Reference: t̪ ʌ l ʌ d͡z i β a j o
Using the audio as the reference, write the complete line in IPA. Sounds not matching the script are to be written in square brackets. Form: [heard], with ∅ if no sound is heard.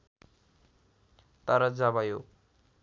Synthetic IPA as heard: t̪ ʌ [ɾ] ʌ d͡z [a] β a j o